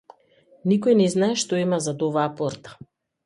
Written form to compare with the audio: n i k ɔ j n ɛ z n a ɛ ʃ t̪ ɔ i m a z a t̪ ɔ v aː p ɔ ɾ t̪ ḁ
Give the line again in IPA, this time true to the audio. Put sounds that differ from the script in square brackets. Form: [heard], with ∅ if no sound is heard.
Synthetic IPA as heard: n i k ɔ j n ɛ z n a ɛ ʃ t̪ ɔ i m a z a [d̪] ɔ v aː p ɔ ɾ t̪ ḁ